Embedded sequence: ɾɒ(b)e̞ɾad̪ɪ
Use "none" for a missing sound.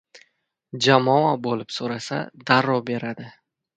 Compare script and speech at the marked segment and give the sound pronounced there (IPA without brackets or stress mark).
b